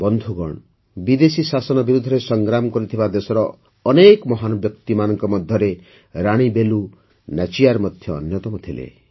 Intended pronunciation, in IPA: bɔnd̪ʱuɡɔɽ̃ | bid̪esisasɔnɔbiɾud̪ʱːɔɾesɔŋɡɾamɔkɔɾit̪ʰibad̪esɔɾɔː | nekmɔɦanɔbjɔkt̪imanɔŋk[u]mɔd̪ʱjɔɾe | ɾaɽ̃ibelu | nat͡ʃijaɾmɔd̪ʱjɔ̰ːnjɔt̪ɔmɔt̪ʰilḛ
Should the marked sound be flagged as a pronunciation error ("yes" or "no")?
yes